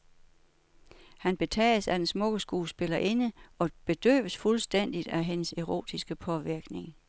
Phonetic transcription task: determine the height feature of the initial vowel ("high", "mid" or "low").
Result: low